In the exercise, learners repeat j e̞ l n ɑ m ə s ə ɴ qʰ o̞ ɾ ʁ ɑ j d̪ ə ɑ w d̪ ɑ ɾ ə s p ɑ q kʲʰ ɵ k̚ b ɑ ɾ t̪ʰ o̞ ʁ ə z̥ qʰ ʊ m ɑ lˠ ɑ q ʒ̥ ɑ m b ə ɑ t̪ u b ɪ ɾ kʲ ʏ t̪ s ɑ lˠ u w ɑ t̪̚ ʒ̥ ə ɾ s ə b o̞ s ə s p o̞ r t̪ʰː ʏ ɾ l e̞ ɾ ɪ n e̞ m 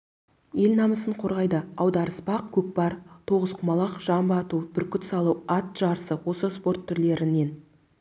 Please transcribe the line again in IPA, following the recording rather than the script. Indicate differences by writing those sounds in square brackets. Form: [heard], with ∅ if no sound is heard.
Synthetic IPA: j e̞ l n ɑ m ə s ə ɴ qʰ o̞ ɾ ʁ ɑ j d̪ ə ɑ w d̪ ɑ ɾ ə s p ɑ q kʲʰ ɵ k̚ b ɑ ɾ t̪ʰ o̞ ʁ ə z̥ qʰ ʊ m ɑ lˠ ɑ q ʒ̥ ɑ m b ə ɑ t̪ u b ɪ ɾ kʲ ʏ t̪ s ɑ lˠ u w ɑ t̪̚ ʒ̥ [ɑ] ɾ s ə [w] o̞ s ə s p o̞ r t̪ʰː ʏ ɾ l e̞ ɾ ɪ n e̞ [n]